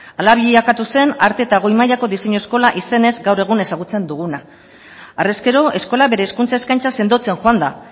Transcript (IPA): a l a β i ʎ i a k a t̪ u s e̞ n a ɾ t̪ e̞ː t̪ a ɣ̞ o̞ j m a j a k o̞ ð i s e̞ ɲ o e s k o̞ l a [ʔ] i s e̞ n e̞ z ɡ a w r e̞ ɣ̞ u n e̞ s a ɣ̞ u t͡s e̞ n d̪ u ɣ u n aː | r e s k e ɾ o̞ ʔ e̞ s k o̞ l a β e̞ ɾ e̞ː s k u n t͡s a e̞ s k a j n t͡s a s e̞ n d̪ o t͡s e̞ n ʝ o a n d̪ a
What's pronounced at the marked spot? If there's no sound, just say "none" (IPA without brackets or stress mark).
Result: ʔ